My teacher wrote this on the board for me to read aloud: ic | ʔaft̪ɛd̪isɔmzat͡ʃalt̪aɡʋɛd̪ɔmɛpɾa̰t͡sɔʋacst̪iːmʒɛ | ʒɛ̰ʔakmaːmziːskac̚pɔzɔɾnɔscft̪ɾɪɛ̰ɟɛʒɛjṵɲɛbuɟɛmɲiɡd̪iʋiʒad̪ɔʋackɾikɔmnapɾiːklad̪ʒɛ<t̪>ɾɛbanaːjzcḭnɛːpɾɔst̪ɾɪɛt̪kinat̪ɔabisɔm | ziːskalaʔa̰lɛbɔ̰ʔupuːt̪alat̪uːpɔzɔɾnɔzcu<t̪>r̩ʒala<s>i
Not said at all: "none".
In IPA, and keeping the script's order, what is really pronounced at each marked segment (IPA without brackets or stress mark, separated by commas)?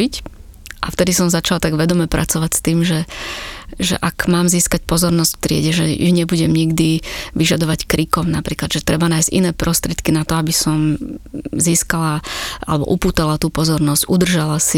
t̪, d̪, s